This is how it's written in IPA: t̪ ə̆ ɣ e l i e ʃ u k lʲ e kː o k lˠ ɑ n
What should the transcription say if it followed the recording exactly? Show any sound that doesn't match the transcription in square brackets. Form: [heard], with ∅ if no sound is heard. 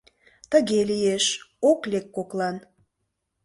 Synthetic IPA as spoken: t̪ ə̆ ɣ e l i e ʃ [o] k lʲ e kː o k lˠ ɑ n

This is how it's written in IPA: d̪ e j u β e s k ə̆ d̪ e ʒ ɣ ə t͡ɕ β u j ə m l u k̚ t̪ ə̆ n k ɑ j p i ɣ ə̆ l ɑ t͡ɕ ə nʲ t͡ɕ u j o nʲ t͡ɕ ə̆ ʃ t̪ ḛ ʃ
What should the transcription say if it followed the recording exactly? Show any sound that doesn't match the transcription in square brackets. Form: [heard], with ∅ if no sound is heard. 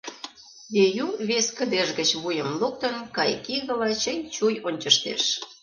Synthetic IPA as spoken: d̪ e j u β e s k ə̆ d̪ e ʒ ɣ ə t͡ɕ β u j ə m l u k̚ t̪ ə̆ n k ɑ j [k] i ɣ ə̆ l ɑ t͡ɕ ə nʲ t͡ɕ u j o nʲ t͡ɕ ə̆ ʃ t̪ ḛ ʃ

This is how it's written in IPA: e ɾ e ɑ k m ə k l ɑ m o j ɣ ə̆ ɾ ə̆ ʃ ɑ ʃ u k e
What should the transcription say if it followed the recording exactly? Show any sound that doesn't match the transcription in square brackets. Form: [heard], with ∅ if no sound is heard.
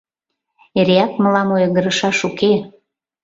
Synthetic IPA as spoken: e ɾ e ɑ k m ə [∅] l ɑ m o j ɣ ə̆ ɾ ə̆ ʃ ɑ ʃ u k e

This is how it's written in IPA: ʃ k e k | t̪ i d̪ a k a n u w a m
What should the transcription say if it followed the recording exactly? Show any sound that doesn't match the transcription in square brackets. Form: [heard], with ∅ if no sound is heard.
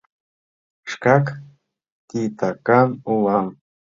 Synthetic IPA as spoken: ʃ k [a] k | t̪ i [t̪] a k a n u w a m

